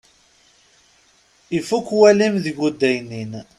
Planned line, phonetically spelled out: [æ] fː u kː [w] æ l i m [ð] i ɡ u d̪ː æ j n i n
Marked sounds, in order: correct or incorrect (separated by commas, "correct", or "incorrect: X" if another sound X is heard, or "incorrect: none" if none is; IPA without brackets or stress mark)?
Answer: incorrect: i, correct, correct